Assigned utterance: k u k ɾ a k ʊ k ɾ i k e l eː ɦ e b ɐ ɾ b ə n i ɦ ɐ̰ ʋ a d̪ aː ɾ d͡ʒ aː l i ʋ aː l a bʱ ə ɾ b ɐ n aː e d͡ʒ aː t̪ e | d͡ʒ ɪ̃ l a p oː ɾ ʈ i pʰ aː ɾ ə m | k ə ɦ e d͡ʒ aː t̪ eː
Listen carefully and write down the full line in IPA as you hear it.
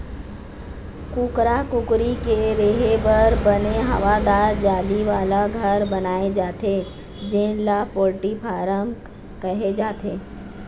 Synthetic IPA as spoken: k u k ɾ a k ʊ k ɾ i k e ɾ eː ɦ e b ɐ ɾ b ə n e ɦ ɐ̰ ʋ a d̪ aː ɾ d͡ʒ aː l i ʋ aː l a ɡʱ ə ɾ b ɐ n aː e d͡ʒ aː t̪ e | d͡ʒ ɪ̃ l a p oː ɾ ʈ i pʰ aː ɾ ə m | k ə ɦ e d͡ʒ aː t̪ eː